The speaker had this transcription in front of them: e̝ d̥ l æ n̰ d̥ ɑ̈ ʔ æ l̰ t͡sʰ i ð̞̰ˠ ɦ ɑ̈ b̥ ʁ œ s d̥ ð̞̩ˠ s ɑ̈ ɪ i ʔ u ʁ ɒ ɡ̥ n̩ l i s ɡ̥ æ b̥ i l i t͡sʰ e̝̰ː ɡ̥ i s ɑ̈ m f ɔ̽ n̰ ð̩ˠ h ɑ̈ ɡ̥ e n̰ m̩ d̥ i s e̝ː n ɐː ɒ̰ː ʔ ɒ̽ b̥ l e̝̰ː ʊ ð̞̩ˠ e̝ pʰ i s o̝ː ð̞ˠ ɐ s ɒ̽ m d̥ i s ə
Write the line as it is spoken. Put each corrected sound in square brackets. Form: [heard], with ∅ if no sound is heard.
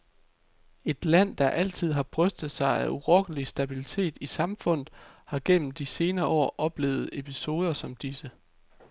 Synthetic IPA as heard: e̝ d̥ l æ n̰ d̥ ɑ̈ ʔ æ l̰ t͡sʰ i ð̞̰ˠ ɦ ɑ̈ b̥ ʁ œ s d̥ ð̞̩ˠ s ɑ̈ ɪ [æ] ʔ u ʁ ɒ ɡ̥ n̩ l i s [d̥] æ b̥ i l i t͡sʰ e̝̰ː [d̥] i s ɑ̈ m f ɔ̽ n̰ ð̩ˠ h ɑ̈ ɡ̥ e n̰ m̩ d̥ i s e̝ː n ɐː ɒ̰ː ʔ ɒ̽ b̥ l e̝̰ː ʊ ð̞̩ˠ e̝ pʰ i s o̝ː ð̞ˠ ɐ s ɒ̽ m d̥ i s ə